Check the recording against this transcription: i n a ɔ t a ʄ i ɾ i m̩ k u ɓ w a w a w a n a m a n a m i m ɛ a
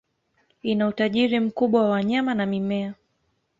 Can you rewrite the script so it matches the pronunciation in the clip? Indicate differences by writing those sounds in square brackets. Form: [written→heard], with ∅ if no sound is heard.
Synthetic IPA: i n a [ɔ→u] t a ʄ i ɾ i m̩ k u ɓ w a w a w a [n→ɲ] a m a n a m i m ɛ a